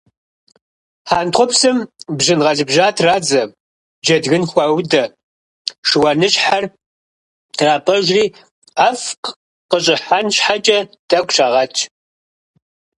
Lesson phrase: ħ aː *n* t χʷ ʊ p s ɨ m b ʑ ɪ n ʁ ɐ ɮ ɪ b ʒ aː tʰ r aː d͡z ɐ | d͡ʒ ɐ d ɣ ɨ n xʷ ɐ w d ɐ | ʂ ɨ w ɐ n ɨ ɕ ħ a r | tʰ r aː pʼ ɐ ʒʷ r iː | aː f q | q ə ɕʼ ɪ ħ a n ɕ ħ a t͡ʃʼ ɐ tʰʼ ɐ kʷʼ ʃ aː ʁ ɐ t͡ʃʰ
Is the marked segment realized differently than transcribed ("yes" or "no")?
no